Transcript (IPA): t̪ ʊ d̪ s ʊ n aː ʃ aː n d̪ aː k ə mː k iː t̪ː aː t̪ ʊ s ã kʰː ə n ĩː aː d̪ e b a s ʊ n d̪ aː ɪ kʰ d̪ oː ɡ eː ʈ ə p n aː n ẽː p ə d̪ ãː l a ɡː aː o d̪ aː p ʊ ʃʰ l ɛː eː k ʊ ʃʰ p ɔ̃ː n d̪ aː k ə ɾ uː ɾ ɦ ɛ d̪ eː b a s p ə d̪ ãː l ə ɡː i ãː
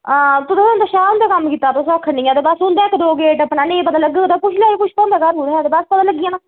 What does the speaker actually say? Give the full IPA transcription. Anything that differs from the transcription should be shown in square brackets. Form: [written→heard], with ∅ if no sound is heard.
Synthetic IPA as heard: t̪ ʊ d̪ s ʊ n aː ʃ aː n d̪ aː k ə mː k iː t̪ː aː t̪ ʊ s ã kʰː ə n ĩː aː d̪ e b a s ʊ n d̪ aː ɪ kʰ d̪ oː ɡ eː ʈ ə p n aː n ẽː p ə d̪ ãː l [a→ə] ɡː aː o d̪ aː p ʊ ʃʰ l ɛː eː k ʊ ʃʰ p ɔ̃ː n d̪ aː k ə ɾ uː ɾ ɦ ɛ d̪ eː b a s p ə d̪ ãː l ə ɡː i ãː